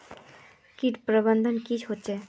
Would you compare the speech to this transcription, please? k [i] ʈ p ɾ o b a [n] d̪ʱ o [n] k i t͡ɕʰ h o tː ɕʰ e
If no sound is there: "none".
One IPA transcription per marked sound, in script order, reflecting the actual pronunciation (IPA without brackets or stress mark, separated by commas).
i, n, n